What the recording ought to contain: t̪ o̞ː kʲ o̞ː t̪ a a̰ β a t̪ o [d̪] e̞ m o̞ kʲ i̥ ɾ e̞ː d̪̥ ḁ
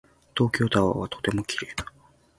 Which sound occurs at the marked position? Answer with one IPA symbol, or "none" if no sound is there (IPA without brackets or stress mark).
t̪